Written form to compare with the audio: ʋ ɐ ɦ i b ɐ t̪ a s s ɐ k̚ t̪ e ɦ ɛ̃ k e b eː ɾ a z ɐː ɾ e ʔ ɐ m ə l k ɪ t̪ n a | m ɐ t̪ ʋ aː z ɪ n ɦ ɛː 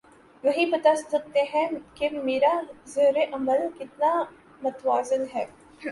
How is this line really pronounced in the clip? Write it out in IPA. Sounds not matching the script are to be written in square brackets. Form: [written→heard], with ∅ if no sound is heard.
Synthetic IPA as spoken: ʋ ɐ ɦ i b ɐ t̪ a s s ɐ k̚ t̪ e ɦ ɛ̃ k e [b→m] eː ɾ a z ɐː ɾ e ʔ ɐ m ə l k ɪ t̪ n a | m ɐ t̪ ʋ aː z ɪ n ɦ ɛː